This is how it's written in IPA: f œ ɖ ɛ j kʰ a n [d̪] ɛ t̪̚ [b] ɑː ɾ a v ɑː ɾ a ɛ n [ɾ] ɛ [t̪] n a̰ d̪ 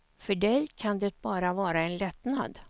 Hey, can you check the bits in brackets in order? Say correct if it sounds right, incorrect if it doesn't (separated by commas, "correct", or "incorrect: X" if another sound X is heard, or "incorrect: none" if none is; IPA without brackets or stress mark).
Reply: correct, correct, incorrect: l, correct